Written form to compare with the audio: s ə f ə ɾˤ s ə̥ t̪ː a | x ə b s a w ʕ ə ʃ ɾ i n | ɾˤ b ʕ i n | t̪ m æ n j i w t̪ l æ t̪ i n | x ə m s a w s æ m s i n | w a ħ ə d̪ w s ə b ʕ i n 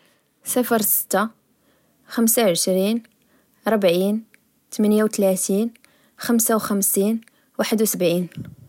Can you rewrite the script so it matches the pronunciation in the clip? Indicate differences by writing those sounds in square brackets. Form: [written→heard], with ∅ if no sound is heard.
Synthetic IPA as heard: s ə f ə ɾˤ s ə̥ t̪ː a | x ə [b→m] s a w ʕ ə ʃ ɾ i n | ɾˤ b ʕ i n | t̪ m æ n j [i→a] w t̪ l æ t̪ i n | x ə m s a w [s→x] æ m s i n | w a ħ ə d̪ w s ə b ʕ i n